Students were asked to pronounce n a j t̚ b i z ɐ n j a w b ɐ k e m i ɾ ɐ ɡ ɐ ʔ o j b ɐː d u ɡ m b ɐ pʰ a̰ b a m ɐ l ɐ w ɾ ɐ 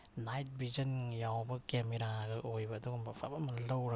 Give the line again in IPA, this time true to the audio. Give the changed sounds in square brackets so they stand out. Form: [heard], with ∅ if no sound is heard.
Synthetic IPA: n a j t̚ b i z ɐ n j a w b ɐ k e m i ɾ [a] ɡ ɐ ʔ o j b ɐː d u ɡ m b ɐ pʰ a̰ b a m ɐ l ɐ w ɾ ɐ